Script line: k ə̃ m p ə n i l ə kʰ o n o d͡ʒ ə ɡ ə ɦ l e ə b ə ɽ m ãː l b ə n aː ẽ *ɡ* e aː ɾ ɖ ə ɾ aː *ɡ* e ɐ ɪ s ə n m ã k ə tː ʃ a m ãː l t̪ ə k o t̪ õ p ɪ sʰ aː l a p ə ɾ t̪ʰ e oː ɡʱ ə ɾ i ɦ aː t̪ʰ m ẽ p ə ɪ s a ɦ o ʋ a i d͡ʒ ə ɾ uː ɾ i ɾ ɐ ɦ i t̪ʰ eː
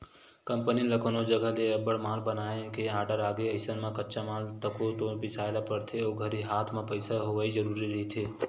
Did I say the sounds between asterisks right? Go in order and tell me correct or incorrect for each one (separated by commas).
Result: incorrect, correct